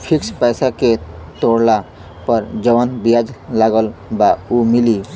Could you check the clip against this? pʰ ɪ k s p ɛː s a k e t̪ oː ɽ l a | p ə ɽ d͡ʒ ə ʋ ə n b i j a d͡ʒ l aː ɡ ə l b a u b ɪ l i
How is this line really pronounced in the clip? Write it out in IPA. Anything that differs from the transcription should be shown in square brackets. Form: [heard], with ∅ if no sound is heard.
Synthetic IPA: pʰ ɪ k s p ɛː s a k e t̪ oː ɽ l a | p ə [ɾ] d͡ʒ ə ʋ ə n b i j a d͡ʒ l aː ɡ ə l b a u [m] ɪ l i